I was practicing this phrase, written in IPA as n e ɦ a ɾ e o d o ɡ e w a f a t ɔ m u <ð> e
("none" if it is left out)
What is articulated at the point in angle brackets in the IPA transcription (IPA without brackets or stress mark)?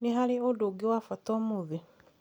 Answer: ð